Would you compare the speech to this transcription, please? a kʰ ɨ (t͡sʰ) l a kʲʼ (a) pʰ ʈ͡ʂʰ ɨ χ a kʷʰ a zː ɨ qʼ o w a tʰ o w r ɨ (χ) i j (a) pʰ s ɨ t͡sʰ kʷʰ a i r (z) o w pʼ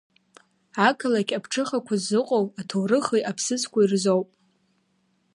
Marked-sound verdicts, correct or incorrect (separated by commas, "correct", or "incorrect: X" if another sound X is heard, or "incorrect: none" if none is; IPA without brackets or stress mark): incorrect: none, correct, correct, correct, correct